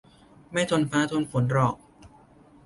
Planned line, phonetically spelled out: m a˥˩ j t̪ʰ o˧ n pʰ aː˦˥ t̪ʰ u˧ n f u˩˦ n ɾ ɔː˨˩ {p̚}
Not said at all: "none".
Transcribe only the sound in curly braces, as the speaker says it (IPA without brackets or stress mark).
k̚